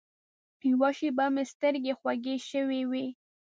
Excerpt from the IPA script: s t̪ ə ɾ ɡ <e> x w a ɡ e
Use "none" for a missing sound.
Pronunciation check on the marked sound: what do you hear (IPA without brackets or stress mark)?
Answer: e